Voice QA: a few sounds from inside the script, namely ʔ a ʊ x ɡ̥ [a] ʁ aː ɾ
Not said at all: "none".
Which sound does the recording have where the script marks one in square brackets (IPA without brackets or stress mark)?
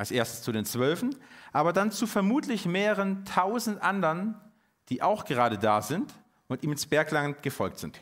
ə